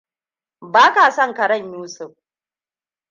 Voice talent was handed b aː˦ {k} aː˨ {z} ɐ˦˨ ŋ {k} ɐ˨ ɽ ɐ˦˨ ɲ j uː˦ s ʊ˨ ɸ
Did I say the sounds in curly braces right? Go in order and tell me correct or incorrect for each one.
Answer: correct, incorrect: s, correct

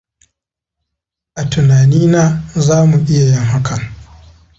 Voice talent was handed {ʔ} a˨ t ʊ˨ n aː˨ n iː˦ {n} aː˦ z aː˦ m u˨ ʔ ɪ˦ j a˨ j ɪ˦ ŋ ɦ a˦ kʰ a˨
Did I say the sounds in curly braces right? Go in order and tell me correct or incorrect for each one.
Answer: correct, correct

